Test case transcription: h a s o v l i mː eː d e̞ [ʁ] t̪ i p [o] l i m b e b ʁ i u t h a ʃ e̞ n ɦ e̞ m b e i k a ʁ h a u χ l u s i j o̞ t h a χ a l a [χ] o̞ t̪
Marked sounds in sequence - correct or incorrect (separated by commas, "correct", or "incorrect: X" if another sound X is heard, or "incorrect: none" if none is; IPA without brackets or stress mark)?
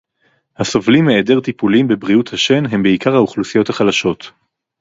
correct, incorrect: u, incorrect: ʃ